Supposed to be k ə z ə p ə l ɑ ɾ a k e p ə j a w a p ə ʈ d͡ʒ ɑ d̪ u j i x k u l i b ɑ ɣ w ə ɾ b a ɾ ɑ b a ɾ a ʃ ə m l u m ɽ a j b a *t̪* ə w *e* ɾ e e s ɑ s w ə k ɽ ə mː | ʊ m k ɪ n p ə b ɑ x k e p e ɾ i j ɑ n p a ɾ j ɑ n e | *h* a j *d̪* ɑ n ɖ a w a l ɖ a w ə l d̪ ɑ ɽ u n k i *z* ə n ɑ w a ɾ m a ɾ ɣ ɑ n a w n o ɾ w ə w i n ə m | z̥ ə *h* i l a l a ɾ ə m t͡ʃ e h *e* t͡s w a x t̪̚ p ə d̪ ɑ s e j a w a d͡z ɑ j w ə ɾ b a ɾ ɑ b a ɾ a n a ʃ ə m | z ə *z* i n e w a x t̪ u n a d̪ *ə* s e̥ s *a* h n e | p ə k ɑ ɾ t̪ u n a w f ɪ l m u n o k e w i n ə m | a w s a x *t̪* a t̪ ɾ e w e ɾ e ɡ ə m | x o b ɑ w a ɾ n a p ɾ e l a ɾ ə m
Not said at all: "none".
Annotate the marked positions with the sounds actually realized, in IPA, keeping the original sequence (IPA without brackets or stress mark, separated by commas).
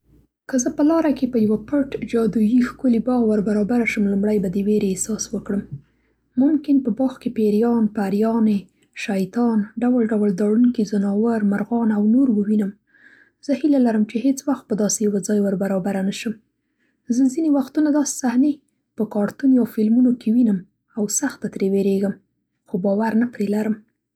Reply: d̪, e, ʃ, t̪, z, h, e, z, ɑ, a, t̪